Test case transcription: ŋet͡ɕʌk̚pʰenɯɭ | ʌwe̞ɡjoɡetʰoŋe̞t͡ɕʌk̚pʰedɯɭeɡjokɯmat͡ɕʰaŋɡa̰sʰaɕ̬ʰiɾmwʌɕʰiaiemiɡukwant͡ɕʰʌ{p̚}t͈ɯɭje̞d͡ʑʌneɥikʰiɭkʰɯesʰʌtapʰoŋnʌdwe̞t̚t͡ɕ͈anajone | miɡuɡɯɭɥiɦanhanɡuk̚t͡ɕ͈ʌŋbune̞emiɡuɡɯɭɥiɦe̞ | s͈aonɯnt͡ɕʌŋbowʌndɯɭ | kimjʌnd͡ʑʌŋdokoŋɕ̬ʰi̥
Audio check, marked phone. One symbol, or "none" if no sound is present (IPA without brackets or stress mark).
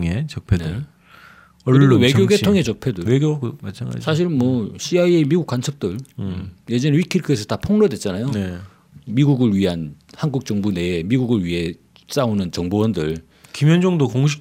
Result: p̚